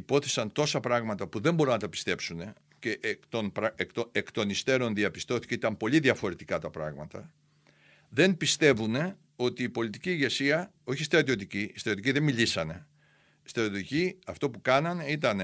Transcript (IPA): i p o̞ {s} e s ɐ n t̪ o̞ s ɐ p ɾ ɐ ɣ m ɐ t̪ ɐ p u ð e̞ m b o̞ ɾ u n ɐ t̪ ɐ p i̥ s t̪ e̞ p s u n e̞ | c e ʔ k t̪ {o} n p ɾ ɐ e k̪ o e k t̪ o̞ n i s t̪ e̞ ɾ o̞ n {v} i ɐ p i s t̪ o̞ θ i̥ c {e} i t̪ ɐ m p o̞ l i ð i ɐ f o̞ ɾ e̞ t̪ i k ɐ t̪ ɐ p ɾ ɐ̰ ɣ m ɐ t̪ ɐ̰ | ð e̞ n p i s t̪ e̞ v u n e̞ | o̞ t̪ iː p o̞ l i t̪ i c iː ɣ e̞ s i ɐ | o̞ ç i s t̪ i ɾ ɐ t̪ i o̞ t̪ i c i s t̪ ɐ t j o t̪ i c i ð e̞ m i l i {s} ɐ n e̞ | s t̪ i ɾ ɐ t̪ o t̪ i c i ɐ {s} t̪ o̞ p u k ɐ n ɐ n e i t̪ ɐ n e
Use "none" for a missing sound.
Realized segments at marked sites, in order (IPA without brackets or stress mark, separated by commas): θ, o, ð, e, s, f